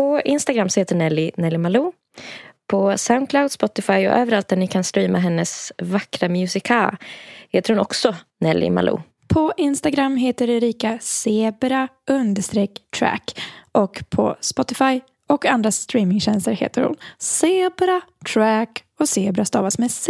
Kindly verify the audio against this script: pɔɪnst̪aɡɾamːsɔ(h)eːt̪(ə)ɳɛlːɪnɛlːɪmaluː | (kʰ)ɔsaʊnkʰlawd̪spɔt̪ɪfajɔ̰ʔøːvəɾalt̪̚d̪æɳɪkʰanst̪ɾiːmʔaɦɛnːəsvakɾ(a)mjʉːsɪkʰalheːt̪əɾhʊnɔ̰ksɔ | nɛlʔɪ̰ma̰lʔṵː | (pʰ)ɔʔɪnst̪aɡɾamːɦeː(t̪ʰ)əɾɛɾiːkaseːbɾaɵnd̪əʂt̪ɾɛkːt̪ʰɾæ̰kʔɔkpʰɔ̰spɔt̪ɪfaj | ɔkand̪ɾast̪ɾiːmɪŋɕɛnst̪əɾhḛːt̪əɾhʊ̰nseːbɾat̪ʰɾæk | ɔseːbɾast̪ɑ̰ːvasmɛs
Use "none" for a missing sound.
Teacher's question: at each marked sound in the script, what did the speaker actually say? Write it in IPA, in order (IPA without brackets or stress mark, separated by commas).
h, ə, pʰ, a, pʰ, t̪